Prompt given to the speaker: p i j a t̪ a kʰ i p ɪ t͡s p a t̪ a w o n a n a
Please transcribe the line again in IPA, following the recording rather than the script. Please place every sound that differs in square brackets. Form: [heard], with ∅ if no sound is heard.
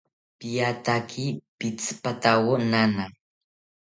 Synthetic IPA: p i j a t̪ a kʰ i p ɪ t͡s p a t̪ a w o n a n a